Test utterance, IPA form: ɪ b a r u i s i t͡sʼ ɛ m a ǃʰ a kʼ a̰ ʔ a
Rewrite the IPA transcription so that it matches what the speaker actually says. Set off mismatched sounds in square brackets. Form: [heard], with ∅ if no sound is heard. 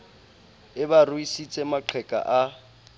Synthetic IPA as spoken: ɪ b a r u i s i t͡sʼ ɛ m a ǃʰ [ɛ] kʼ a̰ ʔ a